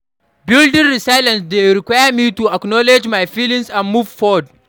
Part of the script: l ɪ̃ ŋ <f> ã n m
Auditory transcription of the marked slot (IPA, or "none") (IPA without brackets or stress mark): s